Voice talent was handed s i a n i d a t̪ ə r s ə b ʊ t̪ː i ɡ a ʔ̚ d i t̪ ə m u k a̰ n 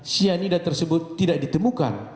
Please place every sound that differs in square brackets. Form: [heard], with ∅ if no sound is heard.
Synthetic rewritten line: s i a n i d a t̪ ə r s ə b ʊ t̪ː i [d] a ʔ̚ d i t̪ ə m u k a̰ n